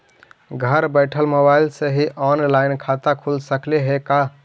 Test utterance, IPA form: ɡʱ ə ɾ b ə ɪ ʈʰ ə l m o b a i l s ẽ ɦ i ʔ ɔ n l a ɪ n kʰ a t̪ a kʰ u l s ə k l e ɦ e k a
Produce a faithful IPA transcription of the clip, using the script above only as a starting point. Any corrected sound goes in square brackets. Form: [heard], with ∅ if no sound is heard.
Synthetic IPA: ɡʱ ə ɾ b ə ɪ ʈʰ ə l m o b a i l s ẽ ɦ i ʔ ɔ n l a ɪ n kʰ a t̪ a kʰ u l s ə k l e ɦ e k a

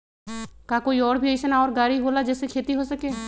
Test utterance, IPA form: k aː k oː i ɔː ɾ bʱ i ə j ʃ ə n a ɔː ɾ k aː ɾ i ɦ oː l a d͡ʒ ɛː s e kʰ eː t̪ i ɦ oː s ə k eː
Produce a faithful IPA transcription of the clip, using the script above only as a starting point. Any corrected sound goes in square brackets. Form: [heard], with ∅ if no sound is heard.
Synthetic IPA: k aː k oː i ɔː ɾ bʱ i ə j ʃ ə n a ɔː ɾ [ɡ] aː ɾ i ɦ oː l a d͡ʒ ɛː s e kʰ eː t̪ i ɦ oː s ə k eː

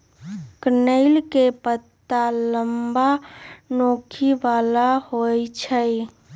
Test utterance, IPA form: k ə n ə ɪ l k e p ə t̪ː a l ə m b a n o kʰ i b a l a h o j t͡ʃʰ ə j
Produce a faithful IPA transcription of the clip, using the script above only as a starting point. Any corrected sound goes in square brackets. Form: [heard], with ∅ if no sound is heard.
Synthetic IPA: k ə n ə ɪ l k e p ə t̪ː a l ə m b a n o kʰ i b a l a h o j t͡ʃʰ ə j

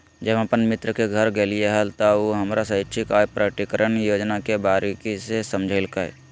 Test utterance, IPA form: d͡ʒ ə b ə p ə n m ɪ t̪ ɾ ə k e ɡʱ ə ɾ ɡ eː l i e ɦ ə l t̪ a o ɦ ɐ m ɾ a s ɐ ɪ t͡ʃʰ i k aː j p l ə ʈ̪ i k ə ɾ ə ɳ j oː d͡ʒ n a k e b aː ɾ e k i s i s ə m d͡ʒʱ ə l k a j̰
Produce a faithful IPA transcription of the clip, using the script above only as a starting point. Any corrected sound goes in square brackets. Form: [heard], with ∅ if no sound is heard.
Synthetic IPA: d͡ʒ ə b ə p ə n m ɪ t̪ ɾ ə k e ɡʱ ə ɾ ɡ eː l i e ɦ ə l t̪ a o ɦ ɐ m ɾ a s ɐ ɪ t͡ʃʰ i k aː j p [ɾ] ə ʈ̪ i k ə ɾ ə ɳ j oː d͡ʒ n a k e b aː ɾ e k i s [e] s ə m d͡ʒʱ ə l k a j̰

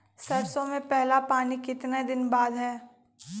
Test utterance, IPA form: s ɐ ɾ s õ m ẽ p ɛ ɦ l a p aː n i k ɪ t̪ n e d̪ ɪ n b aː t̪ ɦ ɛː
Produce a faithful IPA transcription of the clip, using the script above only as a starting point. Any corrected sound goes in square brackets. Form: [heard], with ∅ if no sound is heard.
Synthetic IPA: s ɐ ɾ s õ m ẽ p ɛ ɦ l a p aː n i k ɪ t̪ n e d̪ ɪ n b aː [d̪] ɦ ɛː

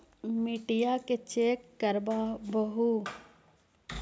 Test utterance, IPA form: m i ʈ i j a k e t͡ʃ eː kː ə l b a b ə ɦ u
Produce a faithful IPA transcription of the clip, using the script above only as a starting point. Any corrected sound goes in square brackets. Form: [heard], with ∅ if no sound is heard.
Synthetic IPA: m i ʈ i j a k e t͡ʃ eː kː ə [ɾ] b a b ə ɦ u

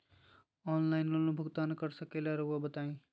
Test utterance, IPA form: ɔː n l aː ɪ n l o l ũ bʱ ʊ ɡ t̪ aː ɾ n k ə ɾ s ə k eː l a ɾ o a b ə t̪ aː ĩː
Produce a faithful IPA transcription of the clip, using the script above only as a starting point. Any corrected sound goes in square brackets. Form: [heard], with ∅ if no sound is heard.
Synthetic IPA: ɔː n l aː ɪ n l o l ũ bʱ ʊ ɡ t̪ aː [∅] n k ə ɾ s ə k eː l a ɾ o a b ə t̪ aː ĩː

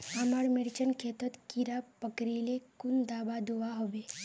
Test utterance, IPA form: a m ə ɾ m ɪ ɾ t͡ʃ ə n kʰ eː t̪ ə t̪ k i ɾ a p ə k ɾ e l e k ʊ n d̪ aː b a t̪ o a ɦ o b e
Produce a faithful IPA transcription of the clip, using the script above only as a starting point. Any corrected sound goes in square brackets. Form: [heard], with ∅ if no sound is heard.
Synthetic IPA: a m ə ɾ m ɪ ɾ t͡ʃ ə n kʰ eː t̪ ə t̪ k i ɾ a p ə k ɾ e l e k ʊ n d̪ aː b a [d̪] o a ɦ o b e

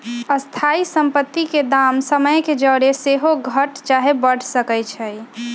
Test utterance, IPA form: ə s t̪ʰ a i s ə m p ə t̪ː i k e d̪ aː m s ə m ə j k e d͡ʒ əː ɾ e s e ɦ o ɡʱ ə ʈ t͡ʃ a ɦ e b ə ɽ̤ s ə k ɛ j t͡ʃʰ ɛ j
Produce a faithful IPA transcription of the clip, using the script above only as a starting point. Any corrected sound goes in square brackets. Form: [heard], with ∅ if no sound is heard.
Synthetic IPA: ə s t̪ʰ a i s ə m p ə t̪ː i k e d̪ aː m s ə m ə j k e d͡ʒ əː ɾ e s e ɦ o ɡʱ ə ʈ t͡ʃ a ɦ e b ə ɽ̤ s ə k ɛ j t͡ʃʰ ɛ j

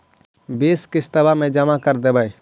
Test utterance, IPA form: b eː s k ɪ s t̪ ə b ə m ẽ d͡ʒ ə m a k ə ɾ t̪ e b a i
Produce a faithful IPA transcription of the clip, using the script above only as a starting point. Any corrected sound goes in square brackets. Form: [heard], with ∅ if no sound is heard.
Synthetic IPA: b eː s k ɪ s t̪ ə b [a] m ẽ d͡ʒ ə m a k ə ɾ [d̪] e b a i

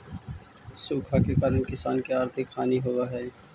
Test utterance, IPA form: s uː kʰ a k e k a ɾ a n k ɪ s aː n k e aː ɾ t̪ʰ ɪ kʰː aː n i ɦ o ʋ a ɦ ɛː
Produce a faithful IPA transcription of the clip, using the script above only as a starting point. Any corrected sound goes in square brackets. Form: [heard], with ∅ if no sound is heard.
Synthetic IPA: s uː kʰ a k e k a ɾ [ə] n k ɪ s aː n k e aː ɾ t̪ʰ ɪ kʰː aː n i ɦ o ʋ a ɦ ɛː

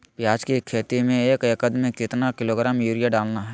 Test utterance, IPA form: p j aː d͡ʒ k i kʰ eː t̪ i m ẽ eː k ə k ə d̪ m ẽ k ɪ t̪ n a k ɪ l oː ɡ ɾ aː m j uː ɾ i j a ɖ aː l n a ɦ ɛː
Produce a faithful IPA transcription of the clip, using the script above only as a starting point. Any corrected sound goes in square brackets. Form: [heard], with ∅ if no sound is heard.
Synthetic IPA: p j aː d͡ʒ k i kʰ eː t̪ i m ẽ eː k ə k ə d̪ m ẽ k ɪ t̪ n a k ɪ l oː ɡ ɾ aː m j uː ɾ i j a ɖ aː l n a ɦ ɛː

